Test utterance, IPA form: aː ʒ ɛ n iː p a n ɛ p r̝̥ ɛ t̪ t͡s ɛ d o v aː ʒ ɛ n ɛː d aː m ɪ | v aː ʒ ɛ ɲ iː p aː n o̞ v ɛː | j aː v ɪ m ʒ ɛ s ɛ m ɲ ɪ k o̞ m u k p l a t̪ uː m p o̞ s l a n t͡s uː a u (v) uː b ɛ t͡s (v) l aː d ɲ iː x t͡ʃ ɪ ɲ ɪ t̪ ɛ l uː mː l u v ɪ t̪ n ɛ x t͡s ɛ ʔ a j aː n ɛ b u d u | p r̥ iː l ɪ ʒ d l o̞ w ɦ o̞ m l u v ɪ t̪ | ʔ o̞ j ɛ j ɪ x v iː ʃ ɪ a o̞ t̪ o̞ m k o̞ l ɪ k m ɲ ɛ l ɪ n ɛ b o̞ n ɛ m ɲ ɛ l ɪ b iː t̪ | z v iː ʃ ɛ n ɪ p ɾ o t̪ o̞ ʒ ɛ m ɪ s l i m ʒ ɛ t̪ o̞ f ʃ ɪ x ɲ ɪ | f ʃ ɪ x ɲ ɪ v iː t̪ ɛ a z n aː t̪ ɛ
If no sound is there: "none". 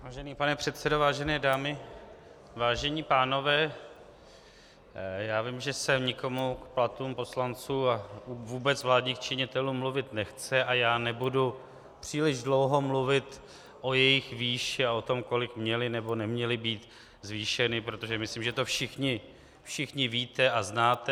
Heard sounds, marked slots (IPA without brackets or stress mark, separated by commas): v, v